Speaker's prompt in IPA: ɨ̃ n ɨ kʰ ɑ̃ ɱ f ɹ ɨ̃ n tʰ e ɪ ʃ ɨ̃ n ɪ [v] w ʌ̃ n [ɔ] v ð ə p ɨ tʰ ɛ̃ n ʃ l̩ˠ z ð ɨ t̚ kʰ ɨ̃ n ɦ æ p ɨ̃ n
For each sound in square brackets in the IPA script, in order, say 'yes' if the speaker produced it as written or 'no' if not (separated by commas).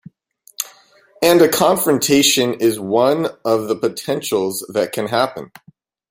no, no